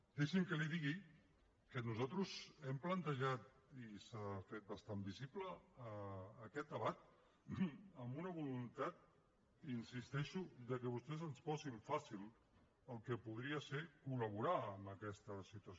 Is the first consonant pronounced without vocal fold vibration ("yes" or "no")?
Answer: no